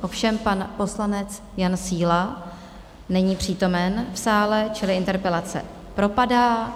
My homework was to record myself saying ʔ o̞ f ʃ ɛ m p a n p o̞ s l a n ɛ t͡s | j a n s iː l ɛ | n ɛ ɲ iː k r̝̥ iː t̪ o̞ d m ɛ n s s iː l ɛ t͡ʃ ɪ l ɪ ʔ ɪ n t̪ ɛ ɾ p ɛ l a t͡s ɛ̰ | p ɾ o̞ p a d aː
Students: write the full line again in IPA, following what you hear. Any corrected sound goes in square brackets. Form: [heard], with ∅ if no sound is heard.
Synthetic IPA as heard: ʔ o̞ f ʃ ɛ m p a n p o̞ s l a n ɛ t͡s | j a n s iː l [a] | n ɛ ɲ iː [p] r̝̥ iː t̪ o̞ [∅] m ɛ n [f] s [aː] l ɛ t͡ʃ ɪ l ɪ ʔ ɪ n t̪ ɛ ɾ p ɛ l a t͡s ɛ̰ | p ɾ o̞ p a d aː